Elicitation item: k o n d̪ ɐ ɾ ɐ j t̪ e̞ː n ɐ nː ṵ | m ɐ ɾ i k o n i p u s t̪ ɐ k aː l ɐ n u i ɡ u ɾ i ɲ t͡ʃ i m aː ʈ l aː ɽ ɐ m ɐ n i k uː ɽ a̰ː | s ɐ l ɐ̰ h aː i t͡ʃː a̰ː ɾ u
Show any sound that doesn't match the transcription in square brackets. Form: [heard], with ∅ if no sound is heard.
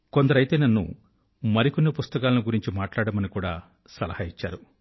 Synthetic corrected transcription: k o n d̪ ɐ ɾ ɐ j t̪ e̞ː n ɐ nː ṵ | m ɐ ɾ i k o [nː] i p u s t̪ ɐ k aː l ɐ n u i ɡ u ɾ i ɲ t͡ʃ i m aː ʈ l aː ɽ ɐ m ɐ n i k uː ɽ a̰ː | s ɐ l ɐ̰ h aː i t͡ʃː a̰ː ɾ u